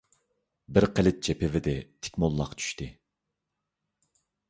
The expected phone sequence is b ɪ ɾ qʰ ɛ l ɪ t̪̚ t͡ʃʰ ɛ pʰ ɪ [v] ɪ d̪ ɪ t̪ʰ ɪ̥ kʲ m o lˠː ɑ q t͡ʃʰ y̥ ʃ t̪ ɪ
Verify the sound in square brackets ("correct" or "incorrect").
correct